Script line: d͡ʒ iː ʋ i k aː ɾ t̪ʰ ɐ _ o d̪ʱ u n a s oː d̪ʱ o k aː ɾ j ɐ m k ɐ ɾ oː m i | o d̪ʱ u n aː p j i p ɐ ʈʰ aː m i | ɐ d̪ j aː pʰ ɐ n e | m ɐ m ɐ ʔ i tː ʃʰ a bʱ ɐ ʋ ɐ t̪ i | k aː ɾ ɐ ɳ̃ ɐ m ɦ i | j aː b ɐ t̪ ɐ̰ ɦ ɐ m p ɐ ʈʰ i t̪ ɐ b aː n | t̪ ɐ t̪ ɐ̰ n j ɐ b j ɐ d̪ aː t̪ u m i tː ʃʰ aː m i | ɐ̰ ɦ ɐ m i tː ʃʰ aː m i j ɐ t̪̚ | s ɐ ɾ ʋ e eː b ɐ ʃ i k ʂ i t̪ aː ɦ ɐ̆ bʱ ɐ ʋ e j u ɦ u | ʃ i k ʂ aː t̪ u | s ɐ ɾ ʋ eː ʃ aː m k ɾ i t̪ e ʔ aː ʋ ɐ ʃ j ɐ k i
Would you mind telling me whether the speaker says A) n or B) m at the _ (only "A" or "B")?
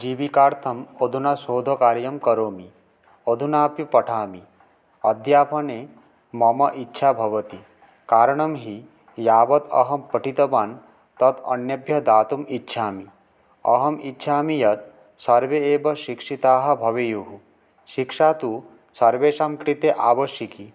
B